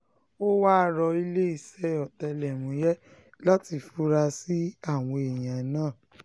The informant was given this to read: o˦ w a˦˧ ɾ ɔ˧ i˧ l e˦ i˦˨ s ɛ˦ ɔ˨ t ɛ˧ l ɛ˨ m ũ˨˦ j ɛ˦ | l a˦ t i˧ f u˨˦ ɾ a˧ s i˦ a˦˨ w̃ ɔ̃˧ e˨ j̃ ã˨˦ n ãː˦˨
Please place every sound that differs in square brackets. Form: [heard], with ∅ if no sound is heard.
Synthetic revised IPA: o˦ w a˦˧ ɾ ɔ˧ i˧ l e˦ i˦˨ s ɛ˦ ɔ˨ t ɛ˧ l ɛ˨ m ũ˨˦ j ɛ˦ | l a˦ t i˧ f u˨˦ ɾ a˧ s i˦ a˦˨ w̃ ɔ̃˧ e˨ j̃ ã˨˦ n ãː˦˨

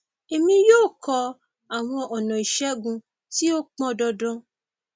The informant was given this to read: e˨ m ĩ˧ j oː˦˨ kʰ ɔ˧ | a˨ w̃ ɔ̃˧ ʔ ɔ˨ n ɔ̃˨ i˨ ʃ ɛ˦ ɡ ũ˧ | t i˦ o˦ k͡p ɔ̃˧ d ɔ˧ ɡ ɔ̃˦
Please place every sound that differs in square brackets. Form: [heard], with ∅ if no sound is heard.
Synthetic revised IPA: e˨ m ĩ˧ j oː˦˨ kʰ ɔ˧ | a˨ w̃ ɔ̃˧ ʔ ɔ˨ n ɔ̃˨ i˨ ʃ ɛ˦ ɡ ũ˧ | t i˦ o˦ k͡p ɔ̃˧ d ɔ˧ [d] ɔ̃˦

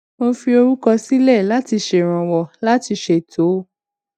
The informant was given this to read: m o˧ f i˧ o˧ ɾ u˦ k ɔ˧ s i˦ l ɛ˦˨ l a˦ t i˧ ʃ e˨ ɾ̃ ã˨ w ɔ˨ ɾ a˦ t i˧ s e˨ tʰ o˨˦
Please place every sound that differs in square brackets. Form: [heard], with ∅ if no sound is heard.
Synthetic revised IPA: m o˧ f i˧ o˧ ɾ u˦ k ɔ˧ s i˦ l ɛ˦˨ l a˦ t i˧ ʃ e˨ ɾ̃ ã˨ w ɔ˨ [l] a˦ t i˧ [ʃ] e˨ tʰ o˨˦

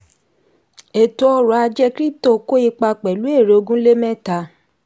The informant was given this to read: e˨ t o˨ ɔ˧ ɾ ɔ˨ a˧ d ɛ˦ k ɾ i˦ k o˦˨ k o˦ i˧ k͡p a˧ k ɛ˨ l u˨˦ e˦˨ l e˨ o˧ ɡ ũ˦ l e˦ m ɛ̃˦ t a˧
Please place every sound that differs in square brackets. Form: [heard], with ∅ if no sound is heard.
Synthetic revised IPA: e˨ t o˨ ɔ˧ ɾ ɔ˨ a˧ [d͡ʒ] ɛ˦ k ɾ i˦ [t] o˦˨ k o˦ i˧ k͡p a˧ [k͡p] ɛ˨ l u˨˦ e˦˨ [ɾ] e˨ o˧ ɡ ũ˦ l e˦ m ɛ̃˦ t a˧

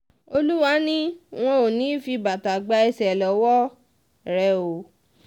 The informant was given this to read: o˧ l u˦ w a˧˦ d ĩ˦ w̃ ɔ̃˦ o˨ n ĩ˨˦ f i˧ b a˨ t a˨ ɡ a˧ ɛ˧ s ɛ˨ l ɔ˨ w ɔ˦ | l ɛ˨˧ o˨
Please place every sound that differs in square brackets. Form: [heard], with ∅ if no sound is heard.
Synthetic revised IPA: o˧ l u˦ w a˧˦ [n] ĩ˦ w̃ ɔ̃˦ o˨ n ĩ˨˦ f i˧ b a˨ t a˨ [ɡ͡b] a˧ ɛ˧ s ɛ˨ l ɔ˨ w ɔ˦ | [ɾ] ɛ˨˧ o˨

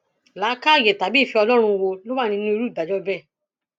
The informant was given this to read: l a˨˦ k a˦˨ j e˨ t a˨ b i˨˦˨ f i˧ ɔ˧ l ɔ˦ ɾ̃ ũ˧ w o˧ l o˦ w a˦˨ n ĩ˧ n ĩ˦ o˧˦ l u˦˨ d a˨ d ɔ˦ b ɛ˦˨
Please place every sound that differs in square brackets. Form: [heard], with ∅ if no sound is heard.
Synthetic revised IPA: l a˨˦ k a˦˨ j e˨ t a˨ b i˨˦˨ f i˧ ɔ˧ l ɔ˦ ɾ̃ ũ˧ w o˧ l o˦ w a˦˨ n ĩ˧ n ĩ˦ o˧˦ [ɾ] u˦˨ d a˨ [d͡ʒ] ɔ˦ b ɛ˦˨

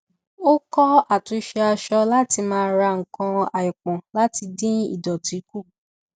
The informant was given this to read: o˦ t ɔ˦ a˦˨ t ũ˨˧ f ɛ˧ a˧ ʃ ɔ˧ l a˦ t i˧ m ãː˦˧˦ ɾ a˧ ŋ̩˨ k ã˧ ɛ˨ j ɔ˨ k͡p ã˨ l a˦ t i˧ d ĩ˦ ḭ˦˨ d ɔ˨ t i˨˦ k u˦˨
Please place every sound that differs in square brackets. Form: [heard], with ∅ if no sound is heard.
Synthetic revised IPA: o˦ [k] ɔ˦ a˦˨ t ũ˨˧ [ʃ] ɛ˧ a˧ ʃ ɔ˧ l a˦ t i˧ m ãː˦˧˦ ɾ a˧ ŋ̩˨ k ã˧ [a˨] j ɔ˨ k͡p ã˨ l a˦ t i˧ d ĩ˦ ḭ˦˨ d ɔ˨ t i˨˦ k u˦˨

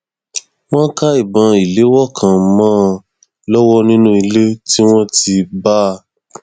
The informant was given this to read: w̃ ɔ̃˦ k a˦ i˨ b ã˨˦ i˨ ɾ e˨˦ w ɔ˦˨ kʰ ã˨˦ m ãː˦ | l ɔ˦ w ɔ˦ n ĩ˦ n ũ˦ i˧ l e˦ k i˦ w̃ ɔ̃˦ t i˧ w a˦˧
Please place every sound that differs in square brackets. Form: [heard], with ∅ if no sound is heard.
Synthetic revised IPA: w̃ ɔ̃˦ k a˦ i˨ b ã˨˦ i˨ [l] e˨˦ w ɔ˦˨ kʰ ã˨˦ m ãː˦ | l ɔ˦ w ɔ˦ n ĩ˦ n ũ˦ i˧ l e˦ [t] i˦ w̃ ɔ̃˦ t i˧ [b] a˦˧

